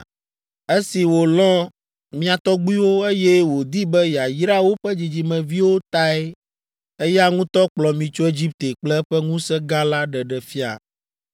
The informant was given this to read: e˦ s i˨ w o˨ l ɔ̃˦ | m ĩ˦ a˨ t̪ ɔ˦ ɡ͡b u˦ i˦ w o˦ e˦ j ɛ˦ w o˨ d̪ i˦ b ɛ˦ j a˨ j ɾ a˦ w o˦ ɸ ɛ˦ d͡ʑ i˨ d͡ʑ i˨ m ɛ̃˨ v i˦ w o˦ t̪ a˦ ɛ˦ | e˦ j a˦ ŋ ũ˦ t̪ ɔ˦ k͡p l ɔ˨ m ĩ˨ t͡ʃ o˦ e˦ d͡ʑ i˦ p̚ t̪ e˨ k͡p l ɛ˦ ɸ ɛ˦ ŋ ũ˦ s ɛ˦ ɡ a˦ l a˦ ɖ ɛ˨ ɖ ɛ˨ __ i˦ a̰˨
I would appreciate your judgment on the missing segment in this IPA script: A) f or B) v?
A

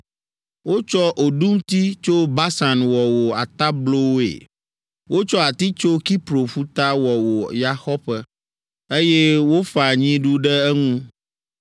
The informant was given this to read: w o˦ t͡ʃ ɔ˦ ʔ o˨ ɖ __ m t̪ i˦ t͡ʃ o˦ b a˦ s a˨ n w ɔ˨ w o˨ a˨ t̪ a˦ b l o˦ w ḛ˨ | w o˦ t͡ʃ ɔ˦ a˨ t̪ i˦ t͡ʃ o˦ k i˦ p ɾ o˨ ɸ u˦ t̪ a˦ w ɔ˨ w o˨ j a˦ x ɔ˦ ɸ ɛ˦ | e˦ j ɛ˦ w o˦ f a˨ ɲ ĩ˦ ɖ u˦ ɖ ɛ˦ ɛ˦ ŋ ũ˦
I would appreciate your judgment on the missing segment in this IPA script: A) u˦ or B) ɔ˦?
A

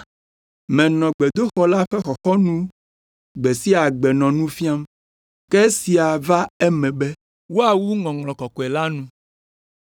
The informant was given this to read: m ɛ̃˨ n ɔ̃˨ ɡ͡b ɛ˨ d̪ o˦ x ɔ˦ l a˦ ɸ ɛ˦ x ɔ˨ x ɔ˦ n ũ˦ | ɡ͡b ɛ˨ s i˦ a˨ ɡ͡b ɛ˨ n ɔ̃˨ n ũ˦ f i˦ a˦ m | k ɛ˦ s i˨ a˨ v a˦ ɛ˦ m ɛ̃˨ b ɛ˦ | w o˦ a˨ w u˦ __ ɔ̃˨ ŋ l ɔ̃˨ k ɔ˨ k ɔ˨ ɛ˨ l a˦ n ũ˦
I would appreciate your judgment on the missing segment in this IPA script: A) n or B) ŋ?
B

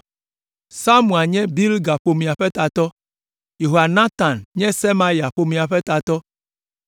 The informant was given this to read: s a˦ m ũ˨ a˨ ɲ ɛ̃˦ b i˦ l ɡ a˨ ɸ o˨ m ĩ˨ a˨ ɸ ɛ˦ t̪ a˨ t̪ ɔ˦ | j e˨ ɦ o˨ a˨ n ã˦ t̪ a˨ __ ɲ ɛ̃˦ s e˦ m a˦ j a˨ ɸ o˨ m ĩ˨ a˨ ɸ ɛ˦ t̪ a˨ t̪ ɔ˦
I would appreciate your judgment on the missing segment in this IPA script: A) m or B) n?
B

